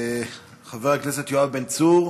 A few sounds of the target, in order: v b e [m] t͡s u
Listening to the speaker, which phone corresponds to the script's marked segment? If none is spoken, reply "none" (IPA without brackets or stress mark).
n